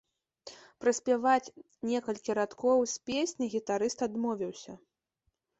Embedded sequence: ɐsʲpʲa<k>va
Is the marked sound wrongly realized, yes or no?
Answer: yes